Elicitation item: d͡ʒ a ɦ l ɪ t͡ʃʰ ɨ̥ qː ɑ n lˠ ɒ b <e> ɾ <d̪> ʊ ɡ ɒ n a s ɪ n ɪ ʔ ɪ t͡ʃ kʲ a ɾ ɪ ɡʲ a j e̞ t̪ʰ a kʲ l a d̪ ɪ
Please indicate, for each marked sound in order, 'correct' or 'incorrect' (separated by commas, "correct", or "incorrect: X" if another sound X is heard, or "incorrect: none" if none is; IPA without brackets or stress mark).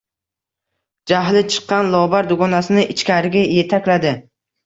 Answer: incorrect: a, correct